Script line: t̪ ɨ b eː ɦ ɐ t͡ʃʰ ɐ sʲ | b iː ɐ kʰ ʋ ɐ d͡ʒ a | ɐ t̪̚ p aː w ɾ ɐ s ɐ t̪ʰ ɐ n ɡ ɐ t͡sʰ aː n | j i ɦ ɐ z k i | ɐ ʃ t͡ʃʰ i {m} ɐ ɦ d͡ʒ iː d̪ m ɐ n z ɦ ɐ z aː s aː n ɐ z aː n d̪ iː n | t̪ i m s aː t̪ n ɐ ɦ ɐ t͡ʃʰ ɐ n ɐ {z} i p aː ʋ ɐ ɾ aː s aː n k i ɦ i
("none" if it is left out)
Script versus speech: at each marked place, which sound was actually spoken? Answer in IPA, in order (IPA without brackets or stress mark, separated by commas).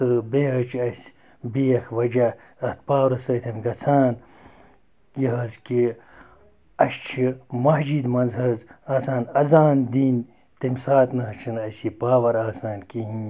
m, s